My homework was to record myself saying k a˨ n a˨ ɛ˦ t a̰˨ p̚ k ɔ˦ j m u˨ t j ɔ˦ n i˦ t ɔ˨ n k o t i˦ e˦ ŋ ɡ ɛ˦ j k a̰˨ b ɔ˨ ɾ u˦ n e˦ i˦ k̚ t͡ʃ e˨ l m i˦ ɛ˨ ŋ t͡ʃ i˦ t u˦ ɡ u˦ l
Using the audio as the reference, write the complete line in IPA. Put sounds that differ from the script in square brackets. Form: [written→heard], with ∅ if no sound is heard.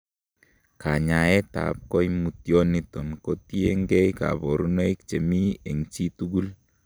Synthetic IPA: k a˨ [n→ɲ] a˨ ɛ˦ t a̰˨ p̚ k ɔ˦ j m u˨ t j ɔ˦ n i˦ t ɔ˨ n k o t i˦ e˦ ŋ ɡ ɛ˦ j k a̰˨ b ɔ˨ ɾ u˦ n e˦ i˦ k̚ t͡ʃ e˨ [l→∅] m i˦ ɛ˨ ŋ t͡ʃ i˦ t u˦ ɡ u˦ l